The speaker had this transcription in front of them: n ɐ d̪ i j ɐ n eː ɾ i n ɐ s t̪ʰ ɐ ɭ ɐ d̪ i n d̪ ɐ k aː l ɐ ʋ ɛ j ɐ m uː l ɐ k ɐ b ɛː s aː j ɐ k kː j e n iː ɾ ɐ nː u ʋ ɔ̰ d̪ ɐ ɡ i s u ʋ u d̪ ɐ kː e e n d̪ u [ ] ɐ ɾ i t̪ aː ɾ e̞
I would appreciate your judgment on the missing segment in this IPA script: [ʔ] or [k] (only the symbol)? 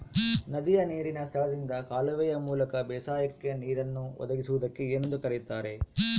k